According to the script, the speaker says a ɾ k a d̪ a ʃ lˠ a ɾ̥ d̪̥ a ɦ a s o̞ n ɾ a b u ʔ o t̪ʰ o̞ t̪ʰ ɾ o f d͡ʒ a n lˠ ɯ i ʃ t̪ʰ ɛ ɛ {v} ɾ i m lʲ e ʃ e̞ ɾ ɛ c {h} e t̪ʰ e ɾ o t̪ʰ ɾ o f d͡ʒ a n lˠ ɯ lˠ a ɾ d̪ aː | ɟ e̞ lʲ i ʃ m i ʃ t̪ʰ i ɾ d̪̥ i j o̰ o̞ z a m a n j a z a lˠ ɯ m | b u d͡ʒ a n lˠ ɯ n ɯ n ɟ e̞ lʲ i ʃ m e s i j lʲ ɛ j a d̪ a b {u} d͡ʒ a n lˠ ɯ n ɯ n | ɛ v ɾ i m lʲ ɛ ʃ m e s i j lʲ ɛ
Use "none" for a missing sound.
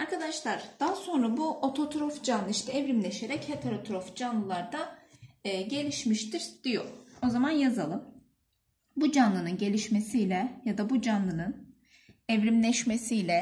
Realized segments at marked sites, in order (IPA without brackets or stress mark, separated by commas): v, h, u